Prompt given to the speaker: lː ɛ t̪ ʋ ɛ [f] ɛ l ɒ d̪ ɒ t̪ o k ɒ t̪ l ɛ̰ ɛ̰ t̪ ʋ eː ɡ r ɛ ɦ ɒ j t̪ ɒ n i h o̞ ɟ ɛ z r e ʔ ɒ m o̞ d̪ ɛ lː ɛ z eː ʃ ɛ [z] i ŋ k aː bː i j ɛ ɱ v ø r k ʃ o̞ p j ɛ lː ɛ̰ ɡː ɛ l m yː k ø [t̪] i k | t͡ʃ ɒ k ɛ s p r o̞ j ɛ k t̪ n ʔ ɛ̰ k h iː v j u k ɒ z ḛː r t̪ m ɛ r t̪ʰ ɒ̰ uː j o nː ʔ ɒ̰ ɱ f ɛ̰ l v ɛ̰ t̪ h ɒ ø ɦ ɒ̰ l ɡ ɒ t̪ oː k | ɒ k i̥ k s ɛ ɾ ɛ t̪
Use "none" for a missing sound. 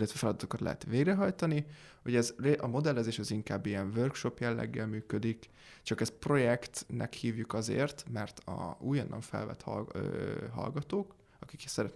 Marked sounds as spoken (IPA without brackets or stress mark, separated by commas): f, z, d̪